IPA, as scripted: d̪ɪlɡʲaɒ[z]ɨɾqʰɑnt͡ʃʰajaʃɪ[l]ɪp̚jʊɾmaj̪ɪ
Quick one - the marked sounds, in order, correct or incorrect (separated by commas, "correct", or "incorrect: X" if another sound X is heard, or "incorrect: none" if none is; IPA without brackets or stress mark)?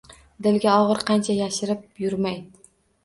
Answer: incorrect: ʁ, incorrect: ɾ